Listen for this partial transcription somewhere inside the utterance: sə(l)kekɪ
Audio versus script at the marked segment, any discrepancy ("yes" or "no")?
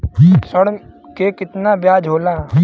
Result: yes